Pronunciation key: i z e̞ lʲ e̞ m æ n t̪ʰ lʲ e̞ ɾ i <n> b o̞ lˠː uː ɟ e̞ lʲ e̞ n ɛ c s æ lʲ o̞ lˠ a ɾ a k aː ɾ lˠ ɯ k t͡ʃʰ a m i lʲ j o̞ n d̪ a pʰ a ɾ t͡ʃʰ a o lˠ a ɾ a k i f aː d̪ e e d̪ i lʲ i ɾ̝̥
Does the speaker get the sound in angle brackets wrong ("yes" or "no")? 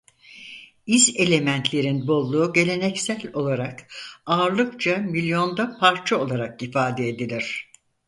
no